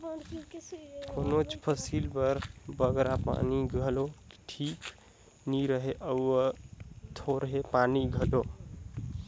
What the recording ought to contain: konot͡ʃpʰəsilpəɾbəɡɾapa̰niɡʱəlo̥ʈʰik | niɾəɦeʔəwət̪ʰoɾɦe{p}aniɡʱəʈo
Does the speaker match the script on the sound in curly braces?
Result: yes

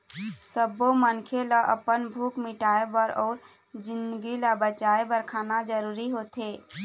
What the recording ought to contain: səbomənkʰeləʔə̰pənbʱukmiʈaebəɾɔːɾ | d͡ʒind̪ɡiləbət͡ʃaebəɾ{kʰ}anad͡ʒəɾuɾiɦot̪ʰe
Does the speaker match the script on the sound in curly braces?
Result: yes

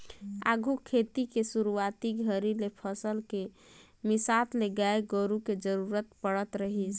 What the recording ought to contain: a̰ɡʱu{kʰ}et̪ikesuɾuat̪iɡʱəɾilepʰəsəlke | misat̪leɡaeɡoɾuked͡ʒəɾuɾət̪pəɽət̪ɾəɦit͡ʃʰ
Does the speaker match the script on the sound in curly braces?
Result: yes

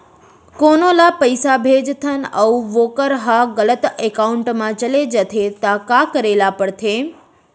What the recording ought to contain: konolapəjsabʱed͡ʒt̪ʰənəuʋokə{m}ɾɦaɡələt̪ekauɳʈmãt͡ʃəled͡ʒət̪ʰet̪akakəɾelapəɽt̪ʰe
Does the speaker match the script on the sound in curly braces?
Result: no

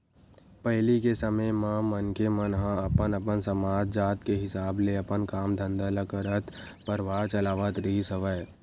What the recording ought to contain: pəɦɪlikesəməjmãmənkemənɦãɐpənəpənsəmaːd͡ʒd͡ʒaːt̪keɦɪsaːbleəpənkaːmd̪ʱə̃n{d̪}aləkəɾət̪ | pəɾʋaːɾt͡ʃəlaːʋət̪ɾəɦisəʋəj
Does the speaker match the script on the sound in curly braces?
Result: yes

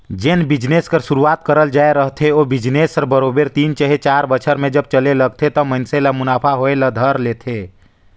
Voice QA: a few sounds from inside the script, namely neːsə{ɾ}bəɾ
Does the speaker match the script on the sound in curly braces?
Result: yes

